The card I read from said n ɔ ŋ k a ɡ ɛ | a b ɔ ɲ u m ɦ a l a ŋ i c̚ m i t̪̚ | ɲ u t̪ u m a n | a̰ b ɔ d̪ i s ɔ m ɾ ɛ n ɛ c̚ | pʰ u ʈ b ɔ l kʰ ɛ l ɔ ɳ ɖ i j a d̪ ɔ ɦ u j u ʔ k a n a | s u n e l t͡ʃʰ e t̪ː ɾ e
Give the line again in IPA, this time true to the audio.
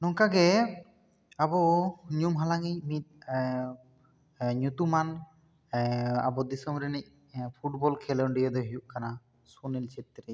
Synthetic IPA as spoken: n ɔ ŋ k a ɡ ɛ | a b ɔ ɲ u m ɦ a l a ŋ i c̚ m i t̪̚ | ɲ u t̪ u m a n | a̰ b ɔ d̪ i s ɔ m ɾ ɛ n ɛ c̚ | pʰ u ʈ b ɔ l kʰ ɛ l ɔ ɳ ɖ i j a d̪ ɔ ɦ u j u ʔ k a n a | s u n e l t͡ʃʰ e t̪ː ɾ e